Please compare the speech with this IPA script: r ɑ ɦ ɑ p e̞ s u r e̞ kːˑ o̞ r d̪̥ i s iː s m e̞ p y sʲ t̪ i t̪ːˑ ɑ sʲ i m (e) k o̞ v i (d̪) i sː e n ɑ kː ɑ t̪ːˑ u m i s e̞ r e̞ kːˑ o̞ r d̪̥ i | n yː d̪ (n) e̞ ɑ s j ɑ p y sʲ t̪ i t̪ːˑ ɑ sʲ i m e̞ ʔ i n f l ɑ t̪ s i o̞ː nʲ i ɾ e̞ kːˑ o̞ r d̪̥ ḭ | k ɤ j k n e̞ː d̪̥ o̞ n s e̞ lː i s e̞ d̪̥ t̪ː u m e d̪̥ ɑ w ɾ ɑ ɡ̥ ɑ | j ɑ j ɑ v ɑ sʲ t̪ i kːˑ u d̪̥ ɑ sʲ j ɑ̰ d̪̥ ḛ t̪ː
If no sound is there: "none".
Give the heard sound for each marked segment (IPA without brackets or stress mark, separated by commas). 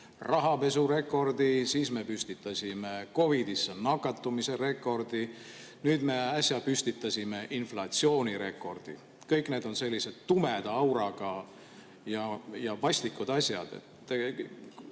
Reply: e, d̪, m